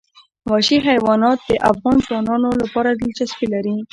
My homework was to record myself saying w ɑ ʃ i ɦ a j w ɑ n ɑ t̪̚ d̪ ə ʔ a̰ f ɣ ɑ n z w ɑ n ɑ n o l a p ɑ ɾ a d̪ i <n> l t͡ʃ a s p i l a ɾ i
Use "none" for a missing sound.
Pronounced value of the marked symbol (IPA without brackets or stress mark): none